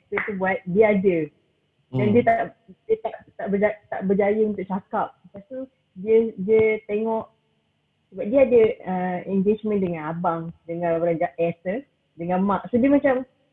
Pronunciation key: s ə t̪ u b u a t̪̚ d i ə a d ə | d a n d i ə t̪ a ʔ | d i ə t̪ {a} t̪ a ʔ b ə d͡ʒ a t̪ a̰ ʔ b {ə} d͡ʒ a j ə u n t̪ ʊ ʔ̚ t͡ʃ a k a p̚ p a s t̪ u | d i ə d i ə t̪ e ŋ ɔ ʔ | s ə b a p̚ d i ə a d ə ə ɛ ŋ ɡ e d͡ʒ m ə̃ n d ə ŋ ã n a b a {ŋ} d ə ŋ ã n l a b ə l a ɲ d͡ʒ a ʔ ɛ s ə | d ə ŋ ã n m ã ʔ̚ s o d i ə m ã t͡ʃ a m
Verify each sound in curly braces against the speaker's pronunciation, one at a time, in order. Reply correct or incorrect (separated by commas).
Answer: correct, correct, correct